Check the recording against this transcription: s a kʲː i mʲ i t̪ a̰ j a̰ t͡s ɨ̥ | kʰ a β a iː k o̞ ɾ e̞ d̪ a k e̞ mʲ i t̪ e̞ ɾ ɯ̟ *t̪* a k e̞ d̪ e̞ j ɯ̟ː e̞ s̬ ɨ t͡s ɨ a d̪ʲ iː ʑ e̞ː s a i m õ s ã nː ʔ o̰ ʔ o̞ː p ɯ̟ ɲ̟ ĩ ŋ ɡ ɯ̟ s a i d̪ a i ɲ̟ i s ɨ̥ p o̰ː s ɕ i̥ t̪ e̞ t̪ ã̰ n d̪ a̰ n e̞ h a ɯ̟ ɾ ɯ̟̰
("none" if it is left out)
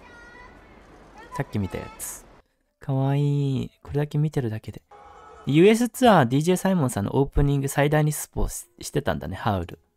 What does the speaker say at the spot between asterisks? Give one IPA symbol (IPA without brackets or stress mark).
d̪